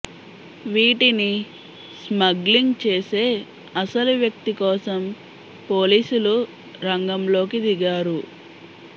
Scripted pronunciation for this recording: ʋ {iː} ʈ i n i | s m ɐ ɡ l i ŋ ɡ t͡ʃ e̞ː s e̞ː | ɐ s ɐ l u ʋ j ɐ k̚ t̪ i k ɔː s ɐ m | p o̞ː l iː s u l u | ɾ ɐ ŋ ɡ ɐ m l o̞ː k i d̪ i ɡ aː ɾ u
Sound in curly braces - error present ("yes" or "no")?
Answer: no